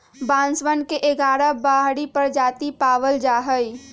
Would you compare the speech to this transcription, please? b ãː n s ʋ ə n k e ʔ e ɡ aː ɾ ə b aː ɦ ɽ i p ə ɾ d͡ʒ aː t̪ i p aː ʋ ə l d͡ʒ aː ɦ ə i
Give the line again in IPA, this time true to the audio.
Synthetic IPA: b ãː n s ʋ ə n k e ʔ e ɡ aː ɾ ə b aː ɦ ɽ i p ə ɾ d͡ʒ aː t̪ i p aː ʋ ə l d͡ʒ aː ɦ ə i